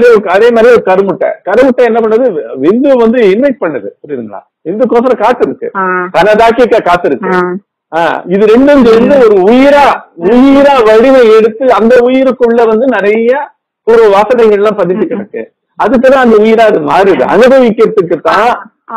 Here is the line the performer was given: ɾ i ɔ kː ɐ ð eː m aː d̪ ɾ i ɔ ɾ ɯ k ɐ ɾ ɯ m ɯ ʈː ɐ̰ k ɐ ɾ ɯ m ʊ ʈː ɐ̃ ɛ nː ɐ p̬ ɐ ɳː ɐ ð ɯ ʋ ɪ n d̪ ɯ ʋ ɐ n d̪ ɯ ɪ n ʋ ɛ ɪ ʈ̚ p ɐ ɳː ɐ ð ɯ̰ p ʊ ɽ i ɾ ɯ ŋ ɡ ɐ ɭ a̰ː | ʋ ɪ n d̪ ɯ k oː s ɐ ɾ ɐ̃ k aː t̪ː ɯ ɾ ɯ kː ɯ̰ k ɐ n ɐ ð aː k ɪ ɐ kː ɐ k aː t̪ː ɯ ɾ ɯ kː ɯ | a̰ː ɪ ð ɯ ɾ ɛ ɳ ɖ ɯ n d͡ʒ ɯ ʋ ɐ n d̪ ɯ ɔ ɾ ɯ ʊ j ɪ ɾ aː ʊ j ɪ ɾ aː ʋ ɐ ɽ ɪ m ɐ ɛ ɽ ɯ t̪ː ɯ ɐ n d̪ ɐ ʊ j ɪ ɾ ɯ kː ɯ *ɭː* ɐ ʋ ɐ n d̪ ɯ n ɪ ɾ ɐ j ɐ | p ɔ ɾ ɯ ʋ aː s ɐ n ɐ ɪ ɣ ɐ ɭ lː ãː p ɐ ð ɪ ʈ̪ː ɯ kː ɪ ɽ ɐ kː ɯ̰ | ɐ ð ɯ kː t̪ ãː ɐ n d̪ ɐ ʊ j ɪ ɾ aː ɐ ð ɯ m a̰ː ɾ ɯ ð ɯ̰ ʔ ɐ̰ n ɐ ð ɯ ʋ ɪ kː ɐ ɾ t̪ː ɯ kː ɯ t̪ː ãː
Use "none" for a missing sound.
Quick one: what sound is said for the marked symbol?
ɭː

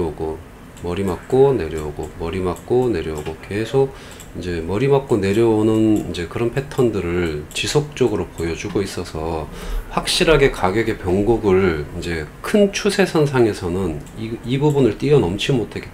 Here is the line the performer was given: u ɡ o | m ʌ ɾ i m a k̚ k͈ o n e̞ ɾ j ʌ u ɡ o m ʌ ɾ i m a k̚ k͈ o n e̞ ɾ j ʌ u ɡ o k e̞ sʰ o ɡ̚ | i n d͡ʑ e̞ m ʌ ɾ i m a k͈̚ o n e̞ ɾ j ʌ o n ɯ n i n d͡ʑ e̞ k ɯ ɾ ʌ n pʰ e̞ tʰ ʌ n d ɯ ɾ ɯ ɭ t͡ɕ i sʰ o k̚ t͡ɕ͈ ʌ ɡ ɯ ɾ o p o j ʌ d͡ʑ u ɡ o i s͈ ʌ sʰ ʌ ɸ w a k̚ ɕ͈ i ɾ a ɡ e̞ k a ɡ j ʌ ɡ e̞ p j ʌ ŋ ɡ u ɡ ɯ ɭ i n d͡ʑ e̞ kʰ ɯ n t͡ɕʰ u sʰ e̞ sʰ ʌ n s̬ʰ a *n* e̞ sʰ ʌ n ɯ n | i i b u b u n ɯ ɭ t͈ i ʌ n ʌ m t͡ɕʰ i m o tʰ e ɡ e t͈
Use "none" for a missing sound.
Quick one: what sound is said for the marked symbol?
ŋ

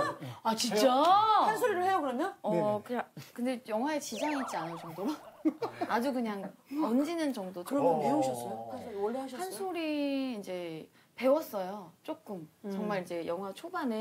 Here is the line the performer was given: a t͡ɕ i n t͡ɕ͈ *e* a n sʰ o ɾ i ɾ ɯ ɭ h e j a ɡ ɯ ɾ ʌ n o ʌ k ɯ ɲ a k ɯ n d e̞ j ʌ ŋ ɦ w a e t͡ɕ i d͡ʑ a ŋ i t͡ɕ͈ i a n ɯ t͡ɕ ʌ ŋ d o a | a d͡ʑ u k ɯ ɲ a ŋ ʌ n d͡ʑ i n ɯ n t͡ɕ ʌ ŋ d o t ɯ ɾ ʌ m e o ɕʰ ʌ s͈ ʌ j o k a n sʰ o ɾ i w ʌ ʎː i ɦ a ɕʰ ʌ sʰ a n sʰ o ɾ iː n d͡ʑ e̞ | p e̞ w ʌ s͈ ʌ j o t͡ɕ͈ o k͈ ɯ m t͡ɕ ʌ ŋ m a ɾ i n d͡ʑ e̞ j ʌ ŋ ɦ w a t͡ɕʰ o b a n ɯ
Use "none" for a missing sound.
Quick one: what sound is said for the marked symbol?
a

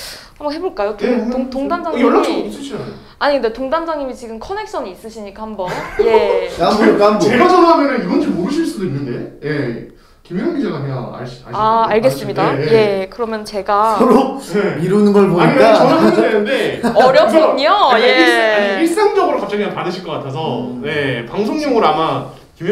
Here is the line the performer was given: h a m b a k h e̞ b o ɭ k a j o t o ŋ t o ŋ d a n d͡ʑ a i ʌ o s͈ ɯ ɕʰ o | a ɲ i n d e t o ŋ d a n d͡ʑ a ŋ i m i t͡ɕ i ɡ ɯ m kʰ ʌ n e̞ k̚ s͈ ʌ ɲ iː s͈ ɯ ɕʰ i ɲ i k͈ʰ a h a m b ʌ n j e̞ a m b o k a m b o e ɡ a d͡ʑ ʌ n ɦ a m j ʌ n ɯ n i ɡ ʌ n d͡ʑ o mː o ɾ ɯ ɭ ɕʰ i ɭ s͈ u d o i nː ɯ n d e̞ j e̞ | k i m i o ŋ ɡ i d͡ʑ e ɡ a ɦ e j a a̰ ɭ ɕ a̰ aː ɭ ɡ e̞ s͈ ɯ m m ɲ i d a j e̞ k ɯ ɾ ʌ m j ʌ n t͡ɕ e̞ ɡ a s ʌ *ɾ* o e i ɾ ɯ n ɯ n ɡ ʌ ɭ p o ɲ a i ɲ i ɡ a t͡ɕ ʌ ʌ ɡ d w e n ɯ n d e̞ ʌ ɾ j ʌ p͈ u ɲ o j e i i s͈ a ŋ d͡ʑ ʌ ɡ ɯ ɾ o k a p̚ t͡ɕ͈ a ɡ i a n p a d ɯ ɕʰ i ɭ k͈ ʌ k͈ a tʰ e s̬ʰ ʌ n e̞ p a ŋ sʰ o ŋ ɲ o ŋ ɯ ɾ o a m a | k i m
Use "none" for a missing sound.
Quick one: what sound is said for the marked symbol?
ɾ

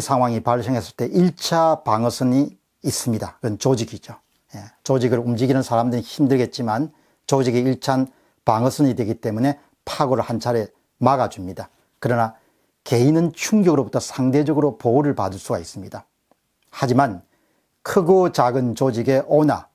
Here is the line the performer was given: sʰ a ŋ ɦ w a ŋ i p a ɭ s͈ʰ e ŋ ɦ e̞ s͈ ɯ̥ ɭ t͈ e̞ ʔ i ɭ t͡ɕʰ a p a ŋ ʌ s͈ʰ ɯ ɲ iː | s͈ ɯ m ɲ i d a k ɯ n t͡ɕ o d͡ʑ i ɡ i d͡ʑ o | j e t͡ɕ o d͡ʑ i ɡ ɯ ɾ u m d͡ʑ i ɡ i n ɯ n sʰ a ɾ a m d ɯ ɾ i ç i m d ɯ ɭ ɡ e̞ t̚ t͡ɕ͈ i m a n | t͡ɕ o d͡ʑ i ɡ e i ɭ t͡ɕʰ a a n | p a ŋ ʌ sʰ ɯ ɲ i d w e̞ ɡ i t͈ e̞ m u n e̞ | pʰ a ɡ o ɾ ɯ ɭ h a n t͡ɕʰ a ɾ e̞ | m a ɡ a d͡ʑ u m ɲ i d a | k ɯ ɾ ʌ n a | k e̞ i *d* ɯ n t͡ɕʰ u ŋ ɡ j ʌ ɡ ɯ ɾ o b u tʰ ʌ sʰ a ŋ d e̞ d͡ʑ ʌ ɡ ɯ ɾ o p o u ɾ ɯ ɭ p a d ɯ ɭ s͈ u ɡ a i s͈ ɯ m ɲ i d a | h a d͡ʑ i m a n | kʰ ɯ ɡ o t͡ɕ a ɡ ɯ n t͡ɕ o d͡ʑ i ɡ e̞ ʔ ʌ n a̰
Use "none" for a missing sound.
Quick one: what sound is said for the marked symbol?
n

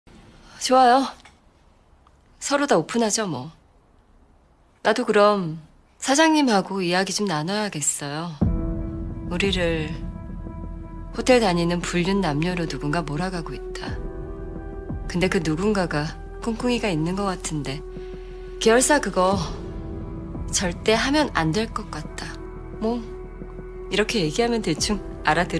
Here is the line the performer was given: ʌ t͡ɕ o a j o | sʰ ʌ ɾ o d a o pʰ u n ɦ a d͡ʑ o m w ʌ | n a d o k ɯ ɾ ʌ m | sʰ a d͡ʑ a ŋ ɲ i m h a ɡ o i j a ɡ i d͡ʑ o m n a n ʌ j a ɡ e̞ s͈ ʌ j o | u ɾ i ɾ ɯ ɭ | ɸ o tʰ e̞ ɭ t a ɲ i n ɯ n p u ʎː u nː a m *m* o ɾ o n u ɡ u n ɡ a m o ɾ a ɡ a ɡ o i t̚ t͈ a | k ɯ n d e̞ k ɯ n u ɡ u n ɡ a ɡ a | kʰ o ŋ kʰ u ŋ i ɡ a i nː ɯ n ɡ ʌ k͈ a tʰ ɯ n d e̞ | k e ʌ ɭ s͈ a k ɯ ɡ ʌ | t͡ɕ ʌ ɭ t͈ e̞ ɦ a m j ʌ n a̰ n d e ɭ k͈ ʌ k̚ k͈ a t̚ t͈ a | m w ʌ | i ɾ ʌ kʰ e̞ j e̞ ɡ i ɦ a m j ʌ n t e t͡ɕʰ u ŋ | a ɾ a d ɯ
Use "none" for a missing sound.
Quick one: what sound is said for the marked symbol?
ɲ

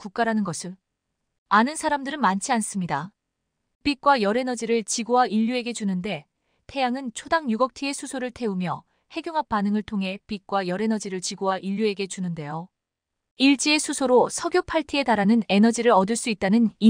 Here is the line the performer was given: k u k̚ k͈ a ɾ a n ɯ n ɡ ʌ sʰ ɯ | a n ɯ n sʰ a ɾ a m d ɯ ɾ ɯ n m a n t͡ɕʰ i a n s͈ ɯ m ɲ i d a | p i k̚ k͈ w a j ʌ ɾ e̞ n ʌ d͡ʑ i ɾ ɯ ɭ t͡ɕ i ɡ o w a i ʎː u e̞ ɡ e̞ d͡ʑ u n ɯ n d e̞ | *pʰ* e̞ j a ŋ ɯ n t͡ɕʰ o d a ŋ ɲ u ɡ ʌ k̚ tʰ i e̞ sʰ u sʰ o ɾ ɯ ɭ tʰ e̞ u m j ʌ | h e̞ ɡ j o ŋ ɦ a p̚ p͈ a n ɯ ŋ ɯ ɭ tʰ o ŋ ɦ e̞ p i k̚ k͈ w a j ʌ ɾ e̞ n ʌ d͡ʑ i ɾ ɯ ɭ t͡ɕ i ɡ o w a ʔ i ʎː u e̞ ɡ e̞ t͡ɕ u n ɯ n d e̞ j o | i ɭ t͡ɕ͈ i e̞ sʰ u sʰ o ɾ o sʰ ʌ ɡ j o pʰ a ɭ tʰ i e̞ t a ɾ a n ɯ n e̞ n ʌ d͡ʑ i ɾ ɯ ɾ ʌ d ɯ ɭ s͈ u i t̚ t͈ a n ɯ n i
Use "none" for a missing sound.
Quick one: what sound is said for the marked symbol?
tʰ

